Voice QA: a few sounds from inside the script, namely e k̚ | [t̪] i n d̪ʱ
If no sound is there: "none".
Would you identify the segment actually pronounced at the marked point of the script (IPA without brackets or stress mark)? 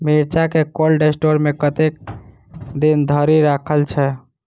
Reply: d̪